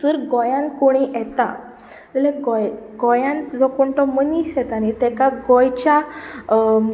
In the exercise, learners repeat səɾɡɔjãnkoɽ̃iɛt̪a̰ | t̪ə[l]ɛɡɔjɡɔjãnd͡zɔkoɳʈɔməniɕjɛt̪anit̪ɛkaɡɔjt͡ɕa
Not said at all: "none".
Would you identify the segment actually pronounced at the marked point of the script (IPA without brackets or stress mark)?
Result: l